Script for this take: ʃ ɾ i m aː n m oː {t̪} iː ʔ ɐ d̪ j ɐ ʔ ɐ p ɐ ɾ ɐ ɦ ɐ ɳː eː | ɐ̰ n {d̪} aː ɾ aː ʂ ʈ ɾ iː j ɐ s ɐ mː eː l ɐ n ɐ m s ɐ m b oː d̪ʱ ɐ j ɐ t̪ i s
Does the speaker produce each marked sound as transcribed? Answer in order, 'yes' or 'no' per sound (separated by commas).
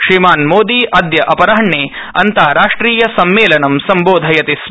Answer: no, no